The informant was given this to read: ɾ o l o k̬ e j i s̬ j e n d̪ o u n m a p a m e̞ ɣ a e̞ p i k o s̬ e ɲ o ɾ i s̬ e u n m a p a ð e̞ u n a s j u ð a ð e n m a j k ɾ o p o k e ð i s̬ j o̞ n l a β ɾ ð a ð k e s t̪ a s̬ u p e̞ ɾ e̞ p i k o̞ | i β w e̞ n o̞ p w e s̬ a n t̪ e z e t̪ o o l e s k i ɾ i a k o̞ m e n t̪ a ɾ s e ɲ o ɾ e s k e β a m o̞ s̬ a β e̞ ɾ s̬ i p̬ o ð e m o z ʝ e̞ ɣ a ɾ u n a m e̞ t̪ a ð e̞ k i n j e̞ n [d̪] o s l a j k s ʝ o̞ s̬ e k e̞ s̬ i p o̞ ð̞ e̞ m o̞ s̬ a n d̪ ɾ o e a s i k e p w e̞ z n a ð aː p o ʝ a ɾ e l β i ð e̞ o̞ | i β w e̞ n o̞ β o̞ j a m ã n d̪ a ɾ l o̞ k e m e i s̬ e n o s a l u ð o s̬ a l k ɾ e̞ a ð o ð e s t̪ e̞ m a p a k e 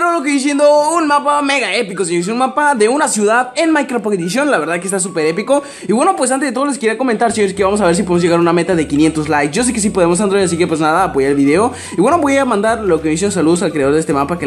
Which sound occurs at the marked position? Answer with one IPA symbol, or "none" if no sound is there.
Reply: t̪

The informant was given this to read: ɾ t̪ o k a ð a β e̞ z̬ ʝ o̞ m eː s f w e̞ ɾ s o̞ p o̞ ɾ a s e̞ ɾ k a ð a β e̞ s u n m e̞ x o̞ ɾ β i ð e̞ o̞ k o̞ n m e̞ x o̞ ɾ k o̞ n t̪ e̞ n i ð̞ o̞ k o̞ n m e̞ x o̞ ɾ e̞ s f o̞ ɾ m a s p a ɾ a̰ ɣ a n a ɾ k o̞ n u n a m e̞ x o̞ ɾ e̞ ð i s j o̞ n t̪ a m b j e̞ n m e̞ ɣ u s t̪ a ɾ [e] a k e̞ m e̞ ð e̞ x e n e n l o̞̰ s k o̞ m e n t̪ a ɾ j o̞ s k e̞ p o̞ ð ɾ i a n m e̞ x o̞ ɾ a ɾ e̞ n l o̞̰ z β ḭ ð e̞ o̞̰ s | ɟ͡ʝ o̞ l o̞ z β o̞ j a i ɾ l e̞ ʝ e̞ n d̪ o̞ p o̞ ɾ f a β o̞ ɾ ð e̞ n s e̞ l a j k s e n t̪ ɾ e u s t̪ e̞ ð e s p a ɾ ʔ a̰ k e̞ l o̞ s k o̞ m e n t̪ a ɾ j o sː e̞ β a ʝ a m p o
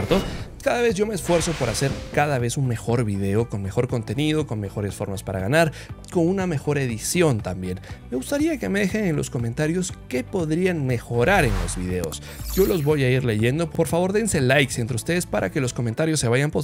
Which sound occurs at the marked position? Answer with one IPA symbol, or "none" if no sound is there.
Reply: i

